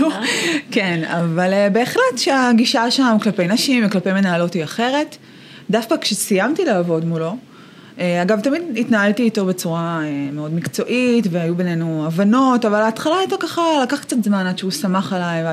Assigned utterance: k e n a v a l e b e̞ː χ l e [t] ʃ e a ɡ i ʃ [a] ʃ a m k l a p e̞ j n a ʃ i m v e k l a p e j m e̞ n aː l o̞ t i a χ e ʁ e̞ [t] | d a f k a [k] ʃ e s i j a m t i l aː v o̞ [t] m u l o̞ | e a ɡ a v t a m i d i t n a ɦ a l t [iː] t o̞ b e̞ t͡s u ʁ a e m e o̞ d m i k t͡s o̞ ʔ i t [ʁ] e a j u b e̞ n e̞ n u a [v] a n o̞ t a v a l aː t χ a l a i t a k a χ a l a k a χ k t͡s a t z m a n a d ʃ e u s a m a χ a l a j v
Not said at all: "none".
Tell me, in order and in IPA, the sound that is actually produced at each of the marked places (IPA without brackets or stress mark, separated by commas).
t, a, t, k, d, iː, v, v